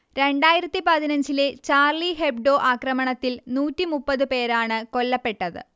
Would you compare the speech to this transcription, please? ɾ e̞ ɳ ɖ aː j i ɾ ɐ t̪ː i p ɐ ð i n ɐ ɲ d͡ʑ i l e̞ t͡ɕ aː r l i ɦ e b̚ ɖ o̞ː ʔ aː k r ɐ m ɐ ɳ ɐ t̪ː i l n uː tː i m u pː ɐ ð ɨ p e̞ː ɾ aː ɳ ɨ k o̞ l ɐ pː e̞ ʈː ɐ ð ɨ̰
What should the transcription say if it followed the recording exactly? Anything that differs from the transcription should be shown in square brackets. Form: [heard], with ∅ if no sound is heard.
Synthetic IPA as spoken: ɾ e̞ ɳ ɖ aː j i ɾ ɐ t̪ː i p ɐ ð i n ɐ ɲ d͡ʑ i l e̞ t͡ɕ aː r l i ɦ e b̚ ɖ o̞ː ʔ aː k r ɐ m ɐ ɳ ɐ t̪ː i l n uː tː i m u pː ɐ ð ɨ p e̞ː ɾ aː ɳ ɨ k o̞ [lː] ɐ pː e̞ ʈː ɐ ð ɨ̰